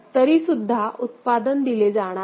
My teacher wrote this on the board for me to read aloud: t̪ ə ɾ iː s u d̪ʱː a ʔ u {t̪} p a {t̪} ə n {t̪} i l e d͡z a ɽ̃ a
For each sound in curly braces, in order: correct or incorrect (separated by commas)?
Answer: correct, incorrect, incorrect